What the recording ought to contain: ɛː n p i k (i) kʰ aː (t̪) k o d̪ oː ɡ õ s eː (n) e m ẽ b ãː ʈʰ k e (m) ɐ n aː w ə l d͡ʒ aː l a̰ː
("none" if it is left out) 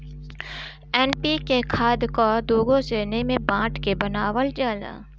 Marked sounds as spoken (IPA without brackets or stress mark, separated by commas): e, d̪, n, b